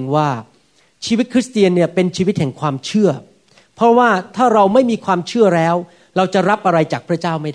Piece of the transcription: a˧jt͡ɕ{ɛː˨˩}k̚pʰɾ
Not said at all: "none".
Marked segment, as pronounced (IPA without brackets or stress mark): aː˨˩